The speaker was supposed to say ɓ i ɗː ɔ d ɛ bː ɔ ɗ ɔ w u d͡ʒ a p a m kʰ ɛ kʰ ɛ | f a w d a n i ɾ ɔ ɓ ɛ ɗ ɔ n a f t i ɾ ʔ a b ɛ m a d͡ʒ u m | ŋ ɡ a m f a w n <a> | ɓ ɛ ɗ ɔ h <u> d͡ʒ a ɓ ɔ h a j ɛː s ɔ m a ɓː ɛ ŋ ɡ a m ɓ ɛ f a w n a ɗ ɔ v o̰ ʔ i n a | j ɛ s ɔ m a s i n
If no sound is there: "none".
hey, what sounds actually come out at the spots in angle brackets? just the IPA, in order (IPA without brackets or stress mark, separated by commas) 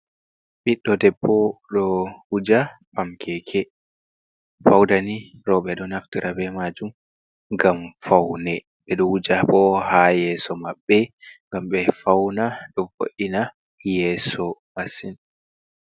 ɛ, u